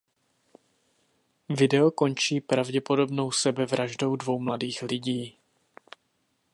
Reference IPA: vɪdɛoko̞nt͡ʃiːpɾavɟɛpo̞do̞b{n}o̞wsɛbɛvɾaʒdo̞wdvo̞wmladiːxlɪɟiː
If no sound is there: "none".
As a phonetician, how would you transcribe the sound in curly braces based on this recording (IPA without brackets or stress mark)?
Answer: n